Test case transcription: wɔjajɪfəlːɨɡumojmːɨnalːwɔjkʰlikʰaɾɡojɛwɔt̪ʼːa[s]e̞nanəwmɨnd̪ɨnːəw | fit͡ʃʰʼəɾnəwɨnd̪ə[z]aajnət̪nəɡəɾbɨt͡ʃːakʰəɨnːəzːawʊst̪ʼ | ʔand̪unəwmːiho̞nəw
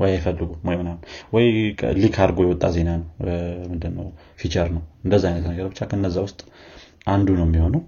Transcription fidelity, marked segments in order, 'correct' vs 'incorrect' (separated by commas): incorrect, incorrect